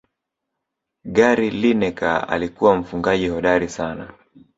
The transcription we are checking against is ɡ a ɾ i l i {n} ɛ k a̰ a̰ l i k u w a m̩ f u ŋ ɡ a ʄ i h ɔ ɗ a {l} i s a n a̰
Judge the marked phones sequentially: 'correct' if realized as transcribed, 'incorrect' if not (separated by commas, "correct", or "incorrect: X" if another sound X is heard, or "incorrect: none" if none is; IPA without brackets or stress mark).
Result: correct, incorrect: ɾ